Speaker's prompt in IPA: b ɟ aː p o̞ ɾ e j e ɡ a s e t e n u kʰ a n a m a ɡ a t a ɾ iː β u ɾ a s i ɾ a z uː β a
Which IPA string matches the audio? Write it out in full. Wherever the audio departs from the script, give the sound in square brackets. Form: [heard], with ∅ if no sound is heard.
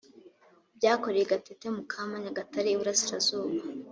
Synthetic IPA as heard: b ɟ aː [k] o̞ ɾ e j e ɡ a [t] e t e [m] u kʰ a [m] a [ɲ] a ɡ a t a ɾ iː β u ɾ a s i ɾ a z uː β a